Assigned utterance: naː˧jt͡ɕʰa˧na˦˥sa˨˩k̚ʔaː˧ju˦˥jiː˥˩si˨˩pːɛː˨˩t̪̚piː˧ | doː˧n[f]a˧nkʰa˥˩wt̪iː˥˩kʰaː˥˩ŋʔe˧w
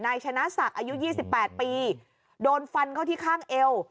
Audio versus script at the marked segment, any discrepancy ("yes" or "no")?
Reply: no